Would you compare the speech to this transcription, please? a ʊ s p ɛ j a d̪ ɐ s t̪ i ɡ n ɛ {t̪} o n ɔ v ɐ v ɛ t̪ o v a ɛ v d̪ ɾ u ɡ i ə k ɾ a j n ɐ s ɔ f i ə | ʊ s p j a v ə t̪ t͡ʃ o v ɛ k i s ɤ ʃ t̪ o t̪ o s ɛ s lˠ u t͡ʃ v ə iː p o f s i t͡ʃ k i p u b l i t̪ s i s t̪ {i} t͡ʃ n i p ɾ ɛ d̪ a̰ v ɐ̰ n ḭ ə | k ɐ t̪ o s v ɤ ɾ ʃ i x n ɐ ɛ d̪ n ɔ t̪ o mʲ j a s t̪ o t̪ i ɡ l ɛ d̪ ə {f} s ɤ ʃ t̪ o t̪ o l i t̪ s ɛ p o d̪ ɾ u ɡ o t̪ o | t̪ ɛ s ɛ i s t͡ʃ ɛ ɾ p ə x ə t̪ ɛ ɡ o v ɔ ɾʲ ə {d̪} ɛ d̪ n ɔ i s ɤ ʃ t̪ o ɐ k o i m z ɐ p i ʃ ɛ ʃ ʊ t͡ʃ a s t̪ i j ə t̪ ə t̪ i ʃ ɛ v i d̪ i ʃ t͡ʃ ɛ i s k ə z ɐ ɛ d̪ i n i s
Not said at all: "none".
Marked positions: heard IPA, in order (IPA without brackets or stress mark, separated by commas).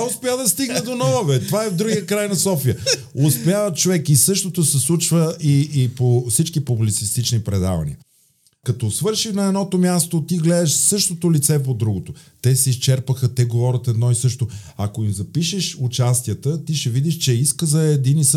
d̪, i, ʃ, t̪